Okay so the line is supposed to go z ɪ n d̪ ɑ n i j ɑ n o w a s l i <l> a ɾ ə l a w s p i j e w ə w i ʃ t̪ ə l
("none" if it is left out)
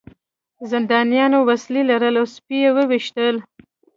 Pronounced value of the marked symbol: l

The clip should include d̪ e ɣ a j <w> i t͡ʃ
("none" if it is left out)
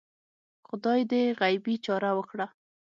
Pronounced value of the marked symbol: b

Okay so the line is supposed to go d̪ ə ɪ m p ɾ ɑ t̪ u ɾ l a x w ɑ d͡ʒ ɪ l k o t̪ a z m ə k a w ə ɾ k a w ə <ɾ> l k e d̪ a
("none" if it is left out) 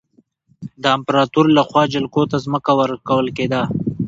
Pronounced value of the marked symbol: none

